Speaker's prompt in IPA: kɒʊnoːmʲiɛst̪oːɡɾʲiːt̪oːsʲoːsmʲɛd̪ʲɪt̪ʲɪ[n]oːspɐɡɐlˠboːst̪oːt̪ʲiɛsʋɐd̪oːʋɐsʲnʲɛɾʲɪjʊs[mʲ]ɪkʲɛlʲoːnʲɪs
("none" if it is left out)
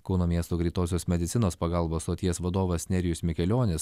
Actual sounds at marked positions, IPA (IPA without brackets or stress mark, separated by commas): n, mʲ